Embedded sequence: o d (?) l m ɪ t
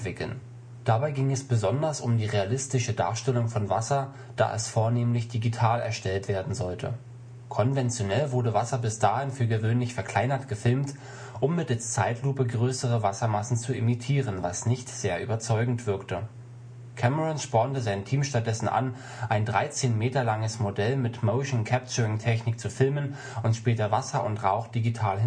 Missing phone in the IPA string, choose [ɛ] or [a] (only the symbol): ɛ